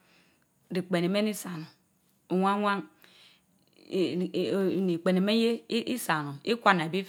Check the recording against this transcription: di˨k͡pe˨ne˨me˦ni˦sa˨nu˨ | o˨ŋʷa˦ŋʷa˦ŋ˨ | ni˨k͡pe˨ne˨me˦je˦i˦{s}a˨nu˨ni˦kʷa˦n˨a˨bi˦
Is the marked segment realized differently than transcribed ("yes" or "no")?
no